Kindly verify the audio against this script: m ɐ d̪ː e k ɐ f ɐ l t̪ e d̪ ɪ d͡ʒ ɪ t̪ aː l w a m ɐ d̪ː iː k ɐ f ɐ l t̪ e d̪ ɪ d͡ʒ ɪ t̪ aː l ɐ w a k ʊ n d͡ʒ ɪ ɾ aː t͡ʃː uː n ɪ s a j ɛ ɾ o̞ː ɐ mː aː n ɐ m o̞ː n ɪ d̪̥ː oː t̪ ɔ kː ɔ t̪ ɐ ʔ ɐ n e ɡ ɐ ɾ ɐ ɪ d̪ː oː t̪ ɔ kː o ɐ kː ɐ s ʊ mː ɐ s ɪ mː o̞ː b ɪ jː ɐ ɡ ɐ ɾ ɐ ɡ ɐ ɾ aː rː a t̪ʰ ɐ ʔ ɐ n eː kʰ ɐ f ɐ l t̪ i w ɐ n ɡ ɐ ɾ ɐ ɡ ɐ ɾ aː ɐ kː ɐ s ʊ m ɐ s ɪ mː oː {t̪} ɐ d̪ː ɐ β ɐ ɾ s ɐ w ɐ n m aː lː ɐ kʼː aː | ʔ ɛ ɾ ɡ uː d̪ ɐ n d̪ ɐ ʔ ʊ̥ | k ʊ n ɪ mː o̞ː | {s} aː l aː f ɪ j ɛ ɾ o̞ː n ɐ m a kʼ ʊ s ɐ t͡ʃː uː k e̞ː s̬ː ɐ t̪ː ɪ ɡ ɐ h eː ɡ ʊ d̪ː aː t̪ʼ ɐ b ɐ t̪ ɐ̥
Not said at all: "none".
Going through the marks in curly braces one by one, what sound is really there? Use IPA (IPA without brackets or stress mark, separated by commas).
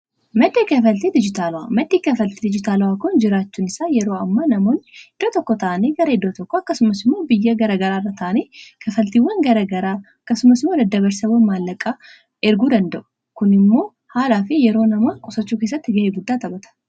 d̪, h